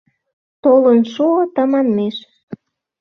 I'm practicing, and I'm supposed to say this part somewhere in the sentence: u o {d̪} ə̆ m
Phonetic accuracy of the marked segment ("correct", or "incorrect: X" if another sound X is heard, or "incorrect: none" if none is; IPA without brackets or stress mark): incorrect: t̪